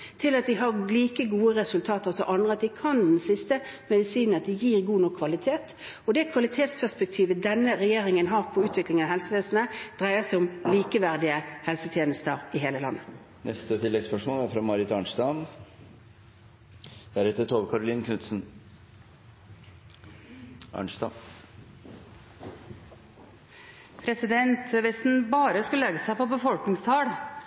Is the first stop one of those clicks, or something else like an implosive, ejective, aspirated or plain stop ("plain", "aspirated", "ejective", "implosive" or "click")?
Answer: aspirated